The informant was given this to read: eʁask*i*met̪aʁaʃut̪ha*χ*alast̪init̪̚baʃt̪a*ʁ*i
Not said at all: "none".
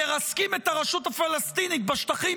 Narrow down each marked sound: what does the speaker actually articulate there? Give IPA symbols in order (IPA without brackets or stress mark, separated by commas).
i, f, χ